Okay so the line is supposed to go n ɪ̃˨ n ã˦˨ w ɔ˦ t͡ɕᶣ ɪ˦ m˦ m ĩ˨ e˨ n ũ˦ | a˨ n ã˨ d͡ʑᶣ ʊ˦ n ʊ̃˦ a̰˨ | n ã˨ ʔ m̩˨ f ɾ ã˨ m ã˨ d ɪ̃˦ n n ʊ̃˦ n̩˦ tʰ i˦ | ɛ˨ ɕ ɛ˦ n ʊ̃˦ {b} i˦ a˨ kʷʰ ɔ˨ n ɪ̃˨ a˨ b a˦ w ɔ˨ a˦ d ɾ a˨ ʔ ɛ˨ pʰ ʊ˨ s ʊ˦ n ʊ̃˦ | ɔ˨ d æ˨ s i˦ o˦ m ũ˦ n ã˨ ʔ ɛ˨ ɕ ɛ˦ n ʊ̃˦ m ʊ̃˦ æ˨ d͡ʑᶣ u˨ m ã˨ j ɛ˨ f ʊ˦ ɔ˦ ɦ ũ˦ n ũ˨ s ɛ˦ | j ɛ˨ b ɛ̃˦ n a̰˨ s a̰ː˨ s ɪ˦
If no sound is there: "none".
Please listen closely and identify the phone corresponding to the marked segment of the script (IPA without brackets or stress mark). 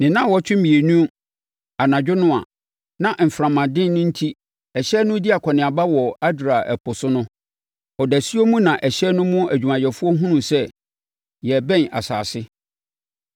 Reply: d